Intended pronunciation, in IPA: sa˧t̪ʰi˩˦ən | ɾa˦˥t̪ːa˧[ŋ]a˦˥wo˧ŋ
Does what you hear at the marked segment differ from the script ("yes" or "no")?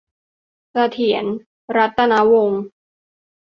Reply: yes